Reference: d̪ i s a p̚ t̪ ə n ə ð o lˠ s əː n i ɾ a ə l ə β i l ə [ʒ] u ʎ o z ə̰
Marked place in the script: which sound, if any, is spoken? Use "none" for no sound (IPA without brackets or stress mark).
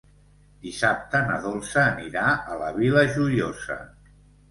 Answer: ʒ